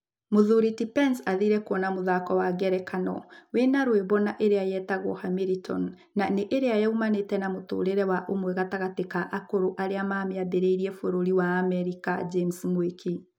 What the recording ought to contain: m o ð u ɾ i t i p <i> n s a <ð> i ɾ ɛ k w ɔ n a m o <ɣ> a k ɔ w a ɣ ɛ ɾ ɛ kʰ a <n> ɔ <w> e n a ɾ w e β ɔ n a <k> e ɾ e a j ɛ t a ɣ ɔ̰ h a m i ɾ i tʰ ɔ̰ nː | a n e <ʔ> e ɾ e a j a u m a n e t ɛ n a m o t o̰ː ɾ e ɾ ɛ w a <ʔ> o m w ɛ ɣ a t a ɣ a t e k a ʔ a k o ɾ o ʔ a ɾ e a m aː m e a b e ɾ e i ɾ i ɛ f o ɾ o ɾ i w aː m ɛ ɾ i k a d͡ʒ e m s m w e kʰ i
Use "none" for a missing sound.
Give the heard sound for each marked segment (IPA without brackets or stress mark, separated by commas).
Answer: ɛ, ð, ð, n, w, ʔ, ʔ, ʔ